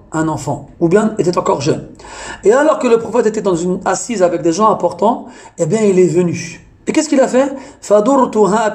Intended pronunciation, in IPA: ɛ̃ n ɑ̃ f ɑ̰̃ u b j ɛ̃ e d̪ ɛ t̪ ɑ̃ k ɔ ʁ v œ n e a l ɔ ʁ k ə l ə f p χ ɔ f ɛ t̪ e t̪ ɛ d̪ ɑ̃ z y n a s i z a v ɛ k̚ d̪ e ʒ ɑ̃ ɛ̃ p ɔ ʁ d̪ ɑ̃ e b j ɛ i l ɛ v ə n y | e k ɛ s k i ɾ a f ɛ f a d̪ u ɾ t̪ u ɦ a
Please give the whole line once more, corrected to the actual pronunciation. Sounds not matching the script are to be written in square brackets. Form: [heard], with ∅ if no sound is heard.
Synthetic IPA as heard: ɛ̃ n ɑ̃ f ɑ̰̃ u b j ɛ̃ e [t̪] ɛ t̪ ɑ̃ k ɔ ʁ [ʒ] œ n e a l ɔ ʁ k ə l ə [∅] p χ ɔ f ɛ t̪ e t̪ ɛ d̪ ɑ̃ z y n a s i z a v ɛ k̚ d̪ e ʒ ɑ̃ ɛ̃ p ɔ ʁ [t̪] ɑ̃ e b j [ɛ̃] i l ɛ v ə n y | e k ɛ s k i [l] a f ɛ f a d̪ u ɾ t̪ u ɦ a